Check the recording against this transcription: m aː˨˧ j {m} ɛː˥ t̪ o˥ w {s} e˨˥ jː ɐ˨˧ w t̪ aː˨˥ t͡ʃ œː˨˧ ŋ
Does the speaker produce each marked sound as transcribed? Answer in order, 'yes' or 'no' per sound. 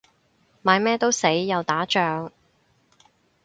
yes, yes

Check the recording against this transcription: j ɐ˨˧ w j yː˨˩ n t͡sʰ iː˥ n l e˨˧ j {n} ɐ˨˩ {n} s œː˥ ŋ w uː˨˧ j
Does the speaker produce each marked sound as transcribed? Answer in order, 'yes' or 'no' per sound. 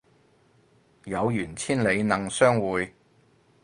yes, no

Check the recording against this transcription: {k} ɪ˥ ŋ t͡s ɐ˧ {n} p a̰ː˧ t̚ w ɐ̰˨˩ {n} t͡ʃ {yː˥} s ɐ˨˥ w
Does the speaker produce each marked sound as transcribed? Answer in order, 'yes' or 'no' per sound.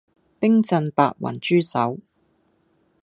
no, yes, yes, yes

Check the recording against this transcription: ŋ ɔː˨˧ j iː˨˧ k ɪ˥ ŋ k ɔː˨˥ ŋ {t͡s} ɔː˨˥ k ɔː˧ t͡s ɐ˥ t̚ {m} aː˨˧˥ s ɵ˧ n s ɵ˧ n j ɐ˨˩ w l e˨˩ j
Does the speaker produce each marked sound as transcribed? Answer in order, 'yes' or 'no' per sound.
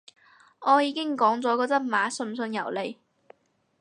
yes, yes

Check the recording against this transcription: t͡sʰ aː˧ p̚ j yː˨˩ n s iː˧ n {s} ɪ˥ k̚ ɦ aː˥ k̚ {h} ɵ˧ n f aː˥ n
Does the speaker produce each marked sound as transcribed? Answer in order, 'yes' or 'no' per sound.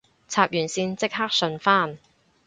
no, no

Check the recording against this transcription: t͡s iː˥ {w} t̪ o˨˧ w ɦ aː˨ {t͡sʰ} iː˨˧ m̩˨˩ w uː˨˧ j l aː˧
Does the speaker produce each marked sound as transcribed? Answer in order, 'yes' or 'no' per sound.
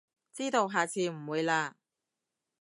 no, yes

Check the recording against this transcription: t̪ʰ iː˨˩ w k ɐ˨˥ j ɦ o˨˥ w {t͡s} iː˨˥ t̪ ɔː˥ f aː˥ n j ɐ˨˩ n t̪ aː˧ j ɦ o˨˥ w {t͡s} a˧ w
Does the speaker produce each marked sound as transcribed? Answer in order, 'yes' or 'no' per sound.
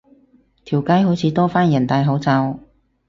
no, yes

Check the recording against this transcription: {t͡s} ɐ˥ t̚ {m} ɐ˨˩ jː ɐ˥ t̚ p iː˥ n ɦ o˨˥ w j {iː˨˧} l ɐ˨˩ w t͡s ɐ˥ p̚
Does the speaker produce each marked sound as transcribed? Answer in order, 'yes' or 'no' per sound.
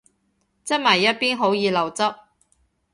yes, yes, yes

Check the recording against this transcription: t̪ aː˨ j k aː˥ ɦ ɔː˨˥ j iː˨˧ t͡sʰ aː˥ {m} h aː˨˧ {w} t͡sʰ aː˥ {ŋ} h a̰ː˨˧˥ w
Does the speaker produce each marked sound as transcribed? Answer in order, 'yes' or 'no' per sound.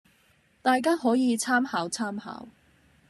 yes, yes, no

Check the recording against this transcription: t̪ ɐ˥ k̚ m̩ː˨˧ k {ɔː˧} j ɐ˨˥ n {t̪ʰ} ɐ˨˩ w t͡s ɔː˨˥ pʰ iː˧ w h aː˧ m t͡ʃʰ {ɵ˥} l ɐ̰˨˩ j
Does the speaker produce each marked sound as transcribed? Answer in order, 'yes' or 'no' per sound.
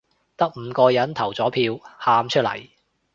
yes, yes, yes

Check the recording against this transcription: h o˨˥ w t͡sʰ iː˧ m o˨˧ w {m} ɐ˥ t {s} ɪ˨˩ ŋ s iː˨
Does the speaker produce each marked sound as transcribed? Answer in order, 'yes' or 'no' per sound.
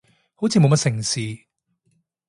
yes, yes

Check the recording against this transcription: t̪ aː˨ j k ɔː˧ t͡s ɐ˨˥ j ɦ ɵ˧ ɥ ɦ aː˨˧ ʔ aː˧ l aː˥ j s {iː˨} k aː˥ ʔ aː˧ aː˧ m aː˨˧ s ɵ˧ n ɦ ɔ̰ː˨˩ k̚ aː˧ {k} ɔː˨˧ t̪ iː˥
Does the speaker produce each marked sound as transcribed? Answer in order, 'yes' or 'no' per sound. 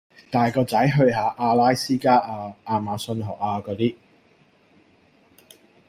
no, yes

